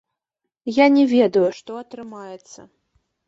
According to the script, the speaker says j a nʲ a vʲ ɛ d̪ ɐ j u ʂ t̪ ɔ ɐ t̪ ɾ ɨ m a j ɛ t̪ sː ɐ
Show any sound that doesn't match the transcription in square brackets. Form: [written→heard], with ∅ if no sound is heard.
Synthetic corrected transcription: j a nʲ [a→ɛ] vʲ ɛ d̪ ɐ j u ʂ t̪ ɔ ɐ t̪ ɾ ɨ m a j ɛ t̪ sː ɐ